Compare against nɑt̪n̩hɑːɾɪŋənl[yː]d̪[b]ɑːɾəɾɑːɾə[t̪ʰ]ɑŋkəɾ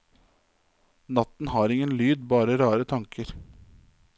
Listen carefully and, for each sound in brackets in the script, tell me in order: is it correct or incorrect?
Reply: correct, correct, correct

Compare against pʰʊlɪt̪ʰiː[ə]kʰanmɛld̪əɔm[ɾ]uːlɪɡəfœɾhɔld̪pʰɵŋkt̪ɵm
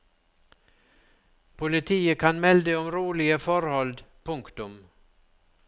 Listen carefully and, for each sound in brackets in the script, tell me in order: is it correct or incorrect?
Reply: correct, correct

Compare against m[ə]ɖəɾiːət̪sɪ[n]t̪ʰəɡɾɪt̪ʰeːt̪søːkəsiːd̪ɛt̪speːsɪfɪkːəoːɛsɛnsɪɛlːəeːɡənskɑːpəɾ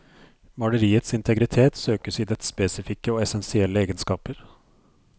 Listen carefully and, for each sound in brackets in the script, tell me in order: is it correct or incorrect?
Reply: incorrect, correct

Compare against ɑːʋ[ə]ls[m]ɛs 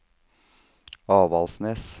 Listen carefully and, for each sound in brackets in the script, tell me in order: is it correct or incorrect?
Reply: incorrect, incorrect

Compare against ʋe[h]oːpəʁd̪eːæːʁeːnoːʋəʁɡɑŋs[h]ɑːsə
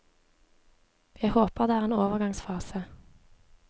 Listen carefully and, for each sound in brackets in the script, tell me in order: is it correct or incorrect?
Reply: correct, incorrect

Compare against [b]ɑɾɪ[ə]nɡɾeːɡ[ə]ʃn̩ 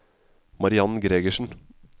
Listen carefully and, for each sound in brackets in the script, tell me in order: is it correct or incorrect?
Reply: incorrect, incorrect, correct

